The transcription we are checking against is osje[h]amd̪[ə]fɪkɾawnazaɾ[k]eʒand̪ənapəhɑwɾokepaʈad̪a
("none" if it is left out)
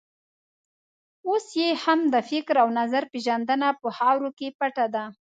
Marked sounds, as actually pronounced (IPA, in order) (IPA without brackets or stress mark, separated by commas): h, ə, p